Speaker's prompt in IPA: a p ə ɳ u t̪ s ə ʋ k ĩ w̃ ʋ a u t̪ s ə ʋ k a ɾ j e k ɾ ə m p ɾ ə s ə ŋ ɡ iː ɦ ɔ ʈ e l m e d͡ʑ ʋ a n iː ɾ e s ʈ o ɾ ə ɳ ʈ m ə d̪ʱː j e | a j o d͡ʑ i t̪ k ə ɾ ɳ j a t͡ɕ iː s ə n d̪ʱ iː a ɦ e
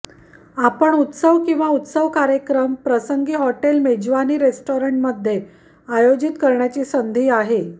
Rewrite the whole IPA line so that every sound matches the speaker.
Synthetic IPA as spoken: a p ə ɳ u t̪ s ə ʋ k ĩ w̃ ʋ a u t̪ s ə ʋ k a ɾ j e k ɾ ə m p ɾ ə s ə ŋ ɡ iː ɦ ɔ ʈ e l m e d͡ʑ ʋ a n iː ɾ e s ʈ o ɾ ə ɳ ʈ m ə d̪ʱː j e | a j o d͡ʑ i t̪ k ə ɾ ɳ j a t͡ɕ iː s ə n d̪ʱ iː a ɦ e